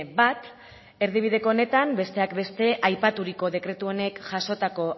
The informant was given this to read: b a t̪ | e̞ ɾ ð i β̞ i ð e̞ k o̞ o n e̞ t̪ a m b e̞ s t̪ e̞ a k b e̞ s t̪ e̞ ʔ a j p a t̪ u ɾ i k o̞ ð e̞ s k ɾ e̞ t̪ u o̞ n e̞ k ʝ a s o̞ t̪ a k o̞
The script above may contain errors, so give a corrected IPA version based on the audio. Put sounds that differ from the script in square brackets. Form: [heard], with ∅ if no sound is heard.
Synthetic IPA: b a t̪ | e̞ ɾ ð i β̞ i ð e̞ k o̞ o n e̞ t̪ a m b e̞ s t̪ e̞ a k b e̞ s t̪ e̞ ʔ a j p a t̪ u ɾ i k o̞ ð e̞ [∅] k ɾ e̞ t̪ u o̞ n e̞ k ʝ a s o̞ t̪ a k o̞